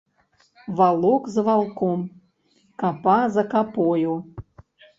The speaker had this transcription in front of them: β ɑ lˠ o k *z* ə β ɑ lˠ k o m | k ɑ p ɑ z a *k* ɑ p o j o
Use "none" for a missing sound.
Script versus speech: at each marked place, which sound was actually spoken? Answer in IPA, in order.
z, k

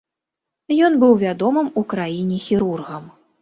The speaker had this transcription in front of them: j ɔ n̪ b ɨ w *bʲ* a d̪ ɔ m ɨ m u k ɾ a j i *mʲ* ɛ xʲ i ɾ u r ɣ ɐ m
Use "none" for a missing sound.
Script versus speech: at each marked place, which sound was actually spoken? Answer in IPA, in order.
vʲ, nʲ

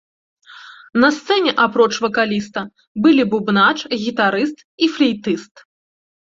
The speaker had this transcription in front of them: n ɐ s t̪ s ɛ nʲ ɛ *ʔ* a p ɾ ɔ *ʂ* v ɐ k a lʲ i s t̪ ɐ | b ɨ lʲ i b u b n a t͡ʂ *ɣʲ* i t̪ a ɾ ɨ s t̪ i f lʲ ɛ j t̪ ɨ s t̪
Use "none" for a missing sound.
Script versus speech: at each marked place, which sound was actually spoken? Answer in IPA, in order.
ʔ, t͡ʂ, ɣʲ

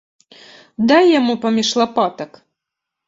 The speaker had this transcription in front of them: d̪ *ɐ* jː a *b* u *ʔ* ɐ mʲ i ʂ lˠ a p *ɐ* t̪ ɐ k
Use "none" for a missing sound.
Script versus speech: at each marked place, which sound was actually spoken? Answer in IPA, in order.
a, m, p, a

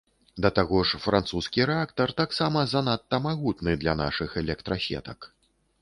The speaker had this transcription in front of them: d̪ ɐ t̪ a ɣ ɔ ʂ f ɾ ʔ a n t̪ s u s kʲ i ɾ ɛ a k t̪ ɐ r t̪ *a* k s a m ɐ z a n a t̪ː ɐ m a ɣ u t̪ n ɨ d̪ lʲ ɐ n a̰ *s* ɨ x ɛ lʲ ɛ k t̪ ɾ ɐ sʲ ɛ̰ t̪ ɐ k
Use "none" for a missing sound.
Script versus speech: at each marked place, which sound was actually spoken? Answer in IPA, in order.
a, ʂ

